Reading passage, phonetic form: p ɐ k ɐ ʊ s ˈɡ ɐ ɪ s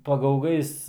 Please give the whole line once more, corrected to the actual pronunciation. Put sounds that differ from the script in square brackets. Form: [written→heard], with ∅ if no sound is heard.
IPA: p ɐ [k→ɡ] ɐ ʊ [s→∅] ˈɡ ɐ ɪ s